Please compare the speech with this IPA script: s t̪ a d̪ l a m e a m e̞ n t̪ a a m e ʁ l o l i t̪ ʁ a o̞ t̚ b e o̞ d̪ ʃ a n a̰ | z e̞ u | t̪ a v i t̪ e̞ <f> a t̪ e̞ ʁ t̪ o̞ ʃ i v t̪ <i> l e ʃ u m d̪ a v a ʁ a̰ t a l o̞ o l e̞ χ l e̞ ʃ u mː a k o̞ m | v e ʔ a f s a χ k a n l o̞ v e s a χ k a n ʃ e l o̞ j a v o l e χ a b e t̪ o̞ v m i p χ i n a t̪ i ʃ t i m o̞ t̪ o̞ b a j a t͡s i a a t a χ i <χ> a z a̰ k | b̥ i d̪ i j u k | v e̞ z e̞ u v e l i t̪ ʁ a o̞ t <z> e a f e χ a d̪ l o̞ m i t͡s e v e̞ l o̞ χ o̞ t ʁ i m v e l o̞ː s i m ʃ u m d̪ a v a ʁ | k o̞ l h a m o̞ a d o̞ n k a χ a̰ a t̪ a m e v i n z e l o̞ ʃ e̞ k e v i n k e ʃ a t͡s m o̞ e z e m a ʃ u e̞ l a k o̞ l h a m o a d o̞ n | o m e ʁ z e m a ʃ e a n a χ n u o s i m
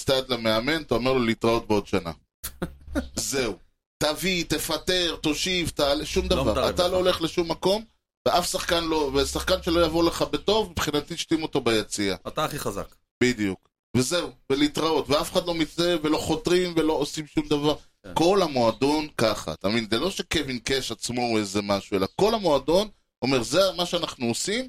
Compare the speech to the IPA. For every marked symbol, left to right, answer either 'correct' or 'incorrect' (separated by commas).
correct, incorrect, correct, incorrect